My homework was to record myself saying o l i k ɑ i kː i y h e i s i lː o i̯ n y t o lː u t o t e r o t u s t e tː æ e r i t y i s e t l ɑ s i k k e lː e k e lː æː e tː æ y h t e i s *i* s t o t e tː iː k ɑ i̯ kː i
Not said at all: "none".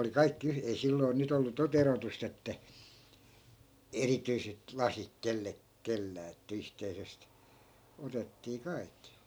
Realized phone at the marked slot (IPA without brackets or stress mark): e